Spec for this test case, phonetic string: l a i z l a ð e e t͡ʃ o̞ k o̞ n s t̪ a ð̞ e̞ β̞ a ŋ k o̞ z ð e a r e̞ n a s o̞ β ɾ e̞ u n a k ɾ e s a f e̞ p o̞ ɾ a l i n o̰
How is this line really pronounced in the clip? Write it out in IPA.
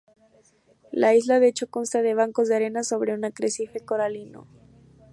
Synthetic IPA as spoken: l a i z l a ð e e t͡ʃ o̞ k o̞ n s t̪ a ð̞ e̞ β̞ a ŋ k o̞ z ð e a ɾ e̞ n a s o̞ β ɾ e̞ u n a k ɾ e s i f e̞ k o̞ ɾ a l i n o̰